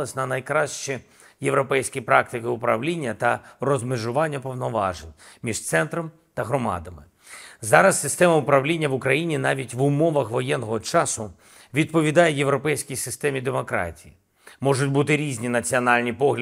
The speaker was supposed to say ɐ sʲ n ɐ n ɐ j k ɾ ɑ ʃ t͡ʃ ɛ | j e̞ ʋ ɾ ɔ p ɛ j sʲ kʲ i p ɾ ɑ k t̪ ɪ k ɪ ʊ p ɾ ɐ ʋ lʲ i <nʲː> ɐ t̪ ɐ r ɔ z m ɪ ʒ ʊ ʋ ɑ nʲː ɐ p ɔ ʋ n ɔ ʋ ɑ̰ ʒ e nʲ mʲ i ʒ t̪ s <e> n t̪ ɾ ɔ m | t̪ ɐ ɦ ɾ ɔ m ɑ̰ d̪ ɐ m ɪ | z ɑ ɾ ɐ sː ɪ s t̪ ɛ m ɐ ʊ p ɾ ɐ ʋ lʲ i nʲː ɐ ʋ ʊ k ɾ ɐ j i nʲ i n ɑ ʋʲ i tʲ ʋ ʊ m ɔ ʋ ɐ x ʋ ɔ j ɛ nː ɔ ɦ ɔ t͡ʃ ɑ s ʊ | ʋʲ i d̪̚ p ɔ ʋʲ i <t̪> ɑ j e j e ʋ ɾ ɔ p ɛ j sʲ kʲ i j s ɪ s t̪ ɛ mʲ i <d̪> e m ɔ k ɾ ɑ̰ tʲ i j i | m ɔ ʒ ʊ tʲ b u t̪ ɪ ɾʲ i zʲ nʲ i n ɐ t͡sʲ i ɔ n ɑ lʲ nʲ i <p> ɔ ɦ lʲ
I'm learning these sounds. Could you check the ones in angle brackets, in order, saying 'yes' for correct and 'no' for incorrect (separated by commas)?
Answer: yes, no, no, yes, yes